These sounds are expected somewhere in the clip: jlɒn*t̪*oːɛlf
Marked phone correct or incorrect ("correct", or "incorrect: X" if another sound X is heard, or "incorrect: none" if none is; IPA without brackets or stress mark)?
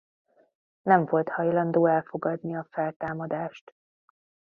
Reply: incorrect: d̪